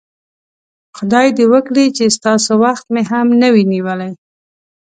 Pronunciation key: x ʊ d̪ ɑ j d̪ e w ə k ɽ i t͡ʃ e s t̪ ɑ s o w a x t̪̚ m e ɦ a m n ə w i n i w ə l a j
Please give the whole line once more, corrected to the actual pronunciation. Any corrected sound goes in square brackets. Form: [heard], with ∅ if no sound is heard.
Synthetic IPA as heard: x ʊ d̪ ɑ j d̪ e w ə k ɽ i t͡ʃ e s t̪ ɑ s o w a x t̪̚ m e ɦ a m n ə w i n i w ə l a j